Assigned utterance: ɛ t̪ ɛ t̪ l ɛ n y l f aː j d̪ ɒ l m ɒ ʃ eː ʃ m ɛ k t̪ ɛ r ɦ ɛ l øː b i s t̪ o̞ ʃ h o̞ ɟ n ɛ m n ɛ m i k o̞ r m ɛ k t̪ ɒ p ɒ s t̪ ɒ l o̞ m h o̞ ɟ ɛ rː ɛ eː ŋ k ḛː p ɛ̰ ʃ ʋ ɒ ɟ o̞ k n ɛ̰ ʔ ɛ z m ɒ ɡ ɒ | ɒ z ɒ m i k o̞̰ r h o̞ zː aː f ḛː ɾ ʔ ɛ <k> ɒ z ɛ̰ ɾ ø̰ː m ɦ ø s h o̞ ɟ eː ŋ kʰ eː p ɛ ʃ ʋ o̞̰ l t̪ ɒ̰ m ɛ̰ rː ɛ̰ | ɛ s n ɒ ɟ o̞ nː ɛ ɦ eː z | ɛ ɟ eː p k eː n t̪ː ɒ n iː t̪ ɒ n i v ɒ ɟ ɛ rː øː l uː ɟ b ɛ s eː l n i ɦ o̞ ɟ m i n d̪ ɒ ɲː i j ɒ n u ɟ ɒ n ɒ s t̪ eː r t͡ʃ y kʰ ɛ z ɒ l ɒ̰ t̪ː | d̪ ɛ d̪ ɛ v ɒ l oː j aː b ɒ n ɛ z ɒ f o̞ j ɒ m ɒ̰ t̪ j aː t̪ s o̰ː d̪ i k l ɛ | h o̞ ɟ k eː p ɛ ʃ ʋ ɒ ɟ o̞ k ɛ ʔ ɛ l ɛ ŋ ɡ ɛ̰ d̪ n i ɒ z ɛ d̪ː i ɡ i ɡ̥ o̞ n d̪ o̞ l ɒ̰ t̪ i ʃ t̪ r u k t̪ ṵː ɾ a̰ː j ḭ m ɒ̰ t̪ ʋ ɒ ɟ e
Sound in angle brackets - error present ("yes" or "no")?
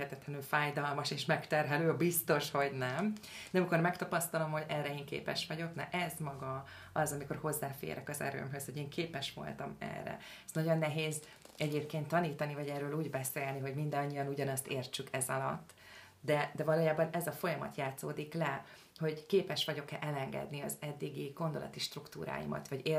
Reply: no